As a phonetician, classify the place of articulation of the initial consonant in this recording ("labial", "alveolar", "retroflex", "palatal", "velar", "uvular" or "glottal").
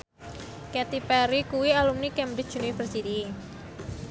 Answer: velar